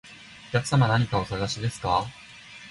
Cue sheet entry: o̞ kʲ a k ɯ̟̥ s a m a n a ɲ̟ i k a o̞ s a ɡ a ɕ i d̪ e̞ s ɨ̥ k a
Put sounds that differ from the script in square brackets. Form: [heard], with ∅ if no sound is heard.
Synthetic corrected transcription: o̞ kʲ a k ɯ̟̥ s a m a n a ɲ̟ i k a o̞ s a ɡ a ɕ i d̪ e̞ s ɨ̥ k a